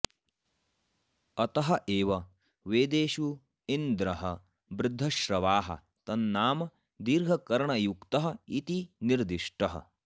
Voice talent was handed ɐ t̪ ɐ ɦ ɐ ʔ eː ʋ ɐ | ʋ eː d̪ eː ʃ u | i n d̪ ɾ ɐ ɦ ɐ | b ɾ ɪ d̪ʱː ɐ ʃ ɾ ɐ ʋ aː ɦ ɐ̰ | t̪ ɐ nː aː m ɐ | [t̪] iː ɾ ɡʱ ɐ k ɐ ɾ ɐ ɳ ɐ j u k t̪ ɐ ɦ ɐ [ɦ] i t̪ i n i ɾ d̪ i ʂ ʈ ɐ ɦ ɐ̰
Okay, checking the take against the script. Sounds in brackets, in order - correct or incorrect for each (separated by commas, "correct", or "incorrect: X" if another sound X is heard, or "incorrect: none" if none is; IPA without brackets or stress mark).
incorrect: d̪, incorrect: none